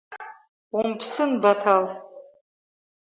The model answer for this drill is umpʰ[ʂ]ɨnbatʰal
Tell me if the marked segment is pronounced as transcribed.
no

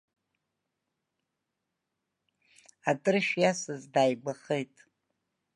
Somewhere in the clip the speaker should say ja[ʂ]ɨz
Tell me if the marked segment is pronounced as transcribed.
no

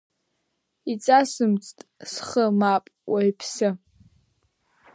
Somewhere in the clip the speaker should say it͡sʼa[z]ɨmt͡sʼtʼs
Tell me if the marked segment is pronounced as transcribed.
no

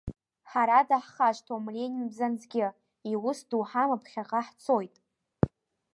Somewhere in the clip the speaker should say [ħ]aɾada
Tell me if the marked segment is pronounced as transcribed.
yes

